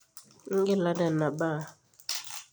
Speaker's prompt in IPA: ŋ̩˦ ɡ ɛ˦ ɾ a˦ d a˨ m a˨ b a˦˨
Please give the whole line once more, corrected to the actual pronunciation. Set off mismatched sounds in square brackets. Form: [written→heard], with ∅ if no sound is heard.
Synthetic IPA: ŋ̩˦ ɡ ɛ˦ [ɾ→l] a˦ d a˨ [m→n] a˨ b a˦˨